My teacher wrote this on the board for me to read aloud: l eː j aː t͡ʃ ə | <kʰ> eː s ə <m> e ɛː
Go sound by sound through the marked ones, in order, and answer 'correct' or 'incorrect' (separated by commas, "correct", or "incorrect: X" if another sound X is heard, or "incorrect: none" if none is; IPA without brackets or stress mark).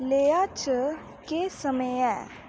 incorrect: k, correct